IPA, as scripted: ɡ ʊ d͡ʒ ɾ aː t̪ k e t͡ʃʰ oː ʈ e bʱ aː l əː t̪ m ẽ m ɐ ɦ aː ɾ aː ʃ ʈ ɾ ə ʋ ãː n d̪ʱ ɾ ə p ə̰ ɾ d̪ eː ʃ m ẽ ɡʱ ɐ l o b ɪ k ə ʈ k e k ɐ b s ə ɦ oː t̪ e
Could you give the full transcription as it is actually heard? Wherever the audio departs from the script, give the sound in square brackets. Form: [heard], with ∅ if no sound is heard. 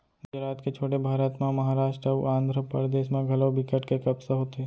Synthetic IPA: ɡ ʊ d͡ʒ ɾ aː t̪ k e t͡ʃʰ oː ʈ e bʱ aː [ɾ] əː t̪ m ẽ m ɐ ɦ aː ɾ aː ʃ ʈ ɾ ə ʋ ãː n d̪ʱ ɾ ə p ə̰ ɾ d̪ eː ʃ m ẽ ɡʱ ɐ l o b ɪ k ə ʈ k e k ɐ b s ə ɦ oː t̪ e